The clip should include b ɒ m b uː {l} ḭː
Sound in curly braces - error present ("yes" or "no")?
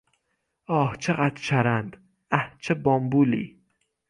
no